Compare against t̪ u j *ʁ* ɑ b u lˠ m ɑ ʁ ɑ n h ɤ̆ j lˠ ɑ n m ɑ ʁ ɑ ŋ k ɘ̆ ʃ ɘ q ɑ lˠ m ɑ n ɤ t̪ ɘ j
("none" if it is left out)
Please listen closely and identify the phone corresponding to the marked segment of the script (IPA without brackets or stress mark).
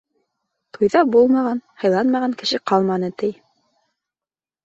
ð